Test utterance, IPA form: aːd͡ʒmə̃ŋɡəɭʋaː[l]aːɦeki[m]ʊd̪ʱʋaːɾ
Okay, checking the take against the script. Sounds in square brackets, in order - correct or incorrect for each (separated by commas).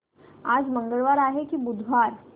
incorrect, incorrect